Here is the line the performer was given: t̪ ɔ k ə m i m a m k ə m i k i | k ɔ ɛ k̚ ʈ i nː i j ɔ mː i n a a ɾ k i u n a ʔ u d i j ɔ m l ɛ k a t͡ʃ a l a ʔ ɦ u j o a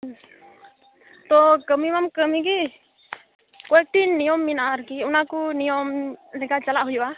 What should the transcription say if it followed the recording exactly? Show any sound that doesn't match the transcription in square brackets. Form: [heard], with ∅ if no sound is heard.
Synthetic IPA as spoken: t̪ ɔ k ə m i m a m k ə m i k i | k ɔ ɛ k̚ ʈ i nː i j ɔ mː i n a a ɾ k i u n a [k] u [n] i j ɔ m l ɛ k a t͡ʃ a l a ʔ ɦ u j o a